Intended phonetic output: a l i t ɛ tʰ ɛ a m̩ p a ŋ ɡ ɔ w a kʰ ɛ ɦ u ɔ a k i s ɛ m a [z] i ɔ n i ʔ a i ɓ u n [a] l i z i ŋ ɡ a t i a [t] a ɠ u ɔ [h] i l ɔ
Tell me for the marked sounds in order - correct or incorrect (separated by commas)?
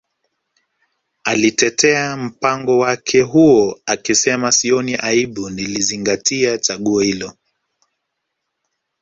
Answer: incorrect, incorrect, incorrect, correct